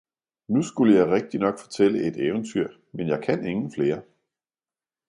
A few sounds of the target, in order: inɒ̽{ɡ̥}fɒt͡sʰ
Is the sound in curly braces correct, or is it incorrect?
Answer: correct